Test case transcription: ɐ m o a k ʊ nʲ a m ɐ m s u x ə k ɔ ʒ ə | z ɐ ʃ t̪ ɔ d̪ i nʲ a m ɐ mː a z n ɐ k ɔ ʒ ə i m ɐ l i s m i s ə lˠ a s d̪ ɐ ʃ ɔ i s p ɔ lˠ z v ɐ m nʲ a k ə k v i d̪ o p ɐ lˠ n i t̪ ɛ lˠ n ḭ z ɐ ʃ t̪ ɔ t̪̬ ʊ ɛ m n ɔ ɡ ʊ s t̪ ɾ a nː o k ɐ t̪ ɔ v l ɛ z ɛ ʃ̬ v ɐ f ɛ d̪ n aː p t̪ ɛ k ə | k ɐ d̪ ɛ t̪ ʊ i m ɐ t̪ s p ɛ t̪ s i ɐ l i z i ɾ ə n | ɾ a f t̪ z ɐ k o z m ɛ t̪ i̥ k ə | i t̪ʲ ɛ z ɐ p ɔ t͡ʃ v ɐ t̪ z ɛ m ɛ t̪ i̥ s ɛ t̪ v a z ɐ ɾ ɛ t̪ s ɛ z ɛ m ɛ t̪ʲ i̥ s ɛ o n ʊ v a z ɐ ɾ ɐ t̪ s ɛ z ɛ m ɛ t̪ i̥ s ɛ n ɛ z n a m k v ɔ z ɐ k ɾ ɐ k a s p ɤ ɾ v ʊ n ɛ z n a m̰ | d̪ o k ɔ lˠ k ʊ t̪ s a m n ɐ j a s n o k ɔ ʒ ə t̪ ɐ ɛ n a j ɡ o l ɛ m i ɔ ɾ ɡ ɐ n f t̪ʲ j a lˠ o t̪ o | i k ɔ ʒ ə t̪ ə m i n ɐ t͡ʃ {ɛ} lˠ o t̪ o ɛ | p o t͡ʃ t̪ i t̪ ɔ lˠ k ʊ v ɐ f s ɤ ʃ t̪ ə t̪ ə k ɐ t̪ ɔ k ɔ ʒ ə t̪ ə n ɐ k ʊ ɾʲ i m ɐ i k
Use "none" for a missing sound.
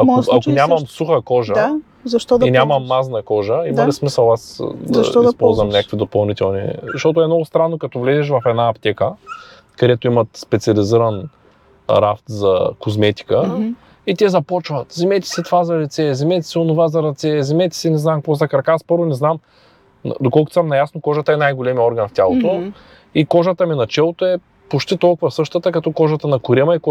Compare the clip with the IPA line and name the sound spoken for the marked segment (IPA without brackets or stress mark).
ɛ